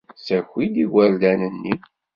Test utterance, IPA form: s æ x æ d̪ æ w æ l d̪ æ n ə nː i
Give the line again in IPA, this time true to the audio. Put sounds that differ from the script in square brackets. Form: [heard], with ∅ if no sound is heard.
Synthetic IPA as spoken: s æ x [i] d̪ [i] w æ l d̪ æ n ə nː i